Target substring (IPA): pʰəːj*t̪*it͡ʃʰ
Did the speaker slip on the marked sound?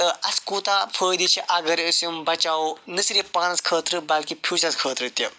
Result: yes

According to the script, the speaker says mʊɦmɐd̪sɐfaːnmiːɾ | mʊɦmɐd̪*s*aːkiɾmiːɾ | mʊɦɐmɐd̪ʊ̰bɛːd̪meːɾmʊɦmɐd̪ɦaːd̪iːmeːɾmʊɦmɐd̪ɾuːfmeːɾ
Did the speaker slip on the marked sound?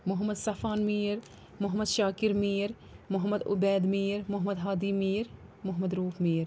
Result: yes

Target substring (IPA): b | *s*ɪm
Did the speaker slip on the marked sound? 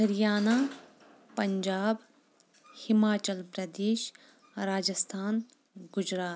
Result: yes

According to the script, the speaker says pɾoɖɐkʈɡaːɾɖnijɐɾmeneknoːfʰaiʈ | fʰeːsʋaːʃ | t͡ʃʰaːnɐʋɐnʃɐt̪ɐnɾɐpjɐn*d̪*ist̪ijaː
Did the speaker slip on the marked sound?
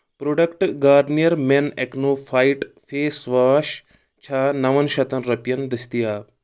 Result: no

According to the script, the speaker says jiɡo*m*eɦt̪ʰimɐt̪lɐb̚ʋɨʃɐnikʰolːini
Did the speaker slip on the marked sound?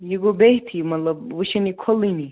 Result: yes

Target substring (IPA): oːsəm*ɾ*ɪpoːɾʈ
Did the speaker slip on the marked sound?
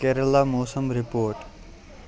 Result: no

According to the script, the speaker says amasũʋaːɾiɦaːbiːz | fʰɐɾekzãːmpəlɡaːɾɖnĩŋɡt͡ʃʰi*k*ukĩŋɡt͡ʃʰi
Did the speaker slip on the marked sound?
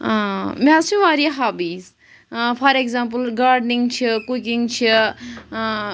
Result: no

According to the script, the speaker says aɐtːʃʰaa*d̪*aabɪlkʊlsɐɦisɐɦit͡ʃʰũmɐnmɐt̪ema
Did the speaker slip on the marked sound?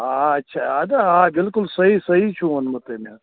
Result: no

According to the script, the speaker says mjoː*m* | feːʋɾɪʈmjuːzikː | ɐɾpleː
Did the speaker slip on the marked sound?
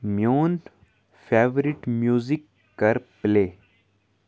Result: yes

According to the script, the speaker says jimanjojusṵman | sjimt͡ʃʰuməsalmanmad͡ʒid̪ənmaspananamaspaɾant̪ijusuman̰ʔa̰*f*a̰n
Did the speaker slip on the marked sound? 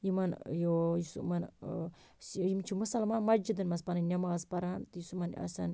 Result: yes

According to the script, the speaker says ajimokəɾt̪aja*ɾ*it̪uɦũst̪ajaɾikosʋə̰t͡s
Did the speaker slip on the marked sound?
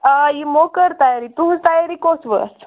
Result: no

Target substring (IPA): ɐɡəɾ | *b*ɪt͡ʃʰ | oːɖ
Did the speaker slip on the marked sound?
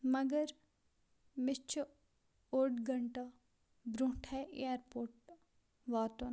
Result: yes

